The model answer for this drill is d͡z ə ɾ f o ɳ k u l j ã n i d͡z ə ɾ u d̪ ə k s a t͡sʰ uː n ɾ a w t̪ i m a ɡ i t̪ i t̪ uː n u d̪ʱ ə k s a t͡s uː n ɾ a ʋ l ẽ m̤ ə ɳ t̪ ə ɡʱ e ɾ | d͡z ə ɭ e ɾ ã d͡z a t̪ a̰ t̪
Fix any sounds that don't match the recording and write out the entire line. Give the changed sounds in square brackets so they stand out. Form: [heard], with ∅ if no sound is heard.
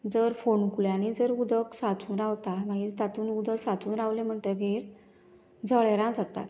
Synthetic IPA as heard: d͡z ə ɾ f o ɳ k u l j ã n i d͡z ə ɾ u d̪ ə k s a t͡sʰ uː n ɾ a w t̪ [a] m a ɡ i t̪ [a] t̪ uː n u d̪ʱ ə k s a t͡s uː n ɾ a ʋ l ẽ m̤ ə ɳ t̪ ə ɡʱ e ɾ | d͡z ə ɭ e ɾ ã d͡z a t̪ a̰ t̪